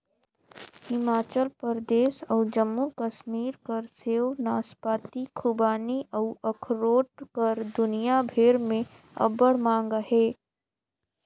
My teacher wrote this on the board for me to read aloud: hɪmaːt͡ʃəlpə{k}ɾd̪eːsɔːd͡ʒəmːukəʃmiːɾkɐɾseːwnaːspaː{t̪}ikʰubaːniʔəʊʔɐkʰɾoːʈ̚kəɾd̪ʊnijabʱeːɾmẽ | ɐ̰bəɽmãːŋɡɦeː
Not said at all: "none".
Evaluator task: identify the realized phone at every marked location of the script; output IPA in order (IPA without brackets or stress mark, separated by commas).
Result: none, t̪